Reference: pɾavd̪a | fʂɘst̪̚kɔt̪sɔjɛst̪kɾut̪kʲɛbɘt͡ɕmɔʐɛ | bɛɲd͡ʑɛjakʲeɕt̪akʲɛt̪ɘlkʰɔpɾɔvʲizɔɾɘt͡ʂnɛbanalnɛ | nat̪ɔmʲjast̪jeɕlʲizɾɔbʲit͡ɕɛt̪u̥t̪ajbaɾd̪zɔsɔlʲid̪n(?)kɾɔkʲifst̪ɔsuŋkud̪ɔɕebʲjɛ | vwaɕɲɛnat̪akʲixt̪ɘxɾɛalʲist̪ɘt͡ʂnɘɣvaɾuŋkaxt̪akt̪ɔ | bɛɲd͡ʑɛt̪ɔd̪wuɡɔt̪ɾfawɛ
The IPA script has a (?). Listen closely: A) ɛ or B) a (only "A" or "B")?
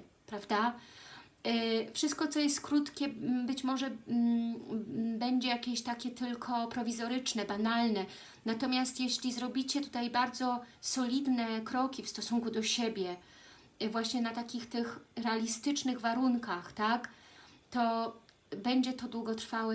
A